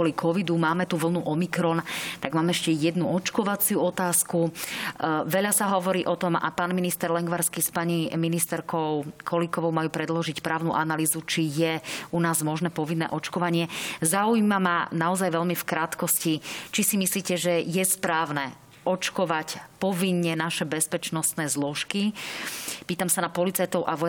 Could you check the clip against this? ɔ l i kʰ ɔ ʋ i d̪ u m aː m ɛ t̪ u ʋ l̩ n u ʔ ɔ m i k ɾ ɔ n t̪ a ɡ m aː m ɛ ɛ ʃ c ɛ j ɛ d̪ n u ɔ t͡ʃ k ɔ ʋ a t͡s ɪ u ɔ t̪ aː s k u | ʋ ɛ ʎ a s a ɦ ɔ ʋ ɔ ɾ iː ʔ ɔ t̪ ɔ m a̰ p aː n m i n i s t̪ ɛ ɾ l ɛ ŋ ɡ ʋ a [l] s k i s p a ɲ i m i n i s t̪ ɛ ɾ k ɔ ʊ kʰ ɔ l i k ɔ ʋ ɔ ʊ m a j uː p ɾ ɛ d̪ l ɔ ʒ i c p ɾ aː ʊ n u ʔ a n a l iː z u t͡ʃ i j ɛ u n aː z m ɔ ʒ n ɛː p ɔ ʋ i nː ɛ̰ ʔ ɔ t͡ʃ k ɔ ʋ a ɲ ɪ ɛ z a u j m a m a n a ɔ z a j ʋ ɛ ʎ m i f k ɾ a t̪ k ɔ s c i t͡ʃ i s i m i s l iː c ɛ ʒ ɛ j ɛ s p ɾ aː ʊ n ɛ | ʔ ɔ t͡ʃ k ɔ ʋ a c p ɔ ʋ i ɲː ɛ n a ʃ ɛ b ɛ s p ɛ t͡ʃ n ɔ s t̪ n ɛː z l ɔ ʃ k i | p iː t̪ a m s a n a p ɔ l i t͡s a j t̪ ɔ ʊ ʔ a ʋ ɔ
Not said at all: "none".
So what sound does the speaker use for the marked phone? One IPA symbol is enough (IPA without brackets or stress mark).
ɾ